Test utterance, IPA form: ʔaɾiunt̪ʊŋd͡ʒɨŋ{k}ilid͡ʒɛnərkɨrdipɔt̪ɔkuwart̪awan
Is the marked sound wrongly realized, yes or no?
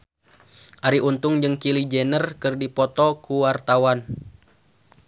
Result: no